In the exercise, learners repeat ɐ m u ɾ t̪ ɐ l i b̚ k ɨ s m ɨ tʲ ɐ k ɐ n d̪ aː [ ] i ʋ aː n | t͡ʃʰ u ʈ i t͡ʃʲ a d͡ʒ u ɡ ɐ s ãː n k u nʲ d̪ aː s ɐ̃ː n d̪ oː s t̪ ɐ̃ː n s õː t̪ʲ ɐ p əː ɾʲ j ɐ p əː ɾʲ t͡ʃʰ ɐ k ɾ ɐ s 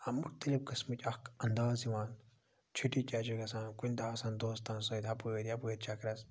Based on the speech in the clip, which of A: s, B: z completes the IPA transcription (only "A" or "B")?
B